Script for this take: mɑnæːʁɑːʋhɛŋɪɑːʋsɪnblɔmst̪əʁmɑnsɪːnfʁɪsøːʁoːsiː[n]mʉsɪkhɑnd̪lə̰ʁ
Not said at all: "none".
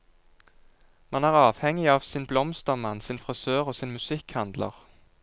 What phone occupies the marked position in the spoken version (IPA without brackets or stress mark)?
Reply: n